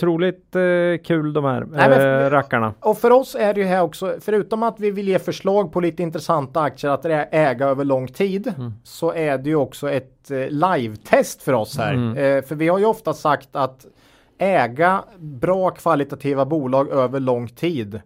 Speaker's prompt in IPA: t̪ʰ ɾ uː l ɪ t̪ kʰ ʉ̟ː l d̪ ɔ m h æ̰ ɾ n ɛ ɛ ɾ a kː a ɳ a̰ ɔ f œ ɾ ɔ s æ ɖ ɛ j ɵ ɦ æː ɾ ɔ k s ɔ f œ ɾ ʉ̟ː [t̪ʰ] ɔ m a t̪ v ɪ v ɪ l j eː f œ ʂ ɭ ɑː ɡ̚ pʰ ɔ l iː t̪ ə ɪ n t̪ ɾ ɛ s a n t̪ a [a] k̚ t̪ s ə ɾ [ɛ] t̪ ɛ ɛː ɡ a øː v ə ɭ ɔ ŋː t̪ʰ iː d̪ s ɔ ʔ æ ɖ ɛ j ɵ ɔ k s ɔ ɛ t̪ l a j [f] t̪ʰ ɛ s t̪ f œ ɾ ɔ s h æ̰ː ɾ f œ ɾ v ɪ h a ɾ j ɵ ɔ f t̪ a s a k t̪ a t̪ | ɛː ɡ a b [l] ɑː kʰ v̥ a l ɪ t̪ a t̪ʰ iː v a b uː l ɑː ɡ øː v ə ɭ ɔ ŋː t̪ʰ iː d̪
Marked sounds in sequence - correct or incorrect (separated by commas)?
incorrect, correct, incorrect, incorrect, incorrect